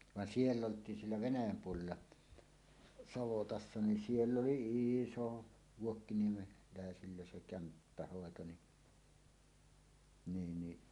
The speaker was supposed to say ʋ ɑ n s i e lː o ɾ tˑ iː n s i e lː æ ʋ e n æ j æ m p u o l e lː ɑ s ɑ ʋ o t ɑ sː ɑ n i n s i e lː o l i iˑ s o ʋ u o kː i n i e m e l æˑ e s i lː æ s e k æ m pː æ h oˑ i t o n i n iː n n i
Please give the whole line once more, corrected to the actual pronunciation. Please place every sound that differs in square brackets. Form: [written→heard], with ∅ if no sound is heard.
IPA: ʋ ɑ n s i e lː o [ɾ→l] tˑ iː n s i e lː æ ʋ e n æ j æ m p u o l e lː ɑ s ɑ ʋ o t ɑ sː ɑ n i n s i e lː o l i iˑ s o ʋ u o kː i n i e m e l æˑ e s i lː æ s e k æ m pː æ h oˑ [i→e] t o n i n iː n n i